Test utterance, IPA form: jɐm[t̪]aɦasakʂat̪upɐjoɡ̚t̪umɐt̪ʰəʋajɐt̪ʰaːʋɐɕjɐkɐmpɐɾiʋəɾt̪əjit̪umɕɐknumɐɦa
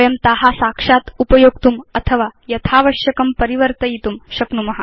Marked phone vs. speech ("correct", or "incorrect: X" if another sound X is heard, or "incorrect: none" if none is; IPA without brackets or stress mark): correct